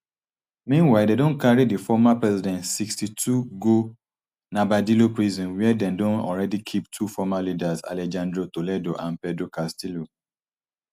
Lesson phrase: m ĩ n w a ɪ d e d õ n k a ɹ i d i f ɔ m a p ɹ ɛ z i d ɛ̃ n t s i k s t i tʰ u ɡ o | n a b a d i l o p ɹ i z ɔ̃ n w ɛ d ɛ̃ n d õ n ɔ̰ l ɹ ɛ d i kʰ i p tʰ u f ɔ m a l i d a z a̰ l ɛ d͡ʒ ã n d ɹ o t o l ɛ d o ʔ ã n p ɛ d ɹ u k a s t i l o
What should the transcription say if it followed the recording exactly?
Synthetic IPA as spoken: m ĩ n w a ɪ d e d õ n k a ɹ i d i f ɔ m a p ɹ ɛ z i d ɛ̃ n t s i k s t i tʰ u ɡ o | n a b a d i l o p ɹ i z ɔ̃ n w ɛ d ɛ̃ n d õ n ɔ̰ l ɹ ɛ d i kʰ i p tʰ u f ɔ m a l i d a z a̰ l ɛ d͡ʒ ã n d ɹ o t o l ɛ d o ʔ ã n p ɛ d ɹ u k a s t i l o